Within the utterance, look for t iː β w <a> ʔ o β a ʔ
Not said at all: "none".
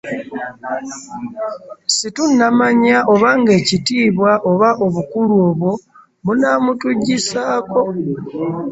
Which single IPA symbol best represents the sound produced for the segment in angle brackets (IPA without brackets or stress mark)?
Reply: a